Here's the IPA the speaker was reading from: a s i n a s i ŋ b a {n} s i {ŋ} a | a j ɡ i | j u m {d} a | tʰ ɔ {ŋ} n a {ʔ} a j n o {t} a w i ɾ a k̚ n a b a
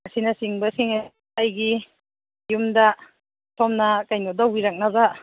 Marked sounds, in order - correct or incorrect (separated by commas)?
incorrect, correct, correct, incorrect, incorrect, incorrect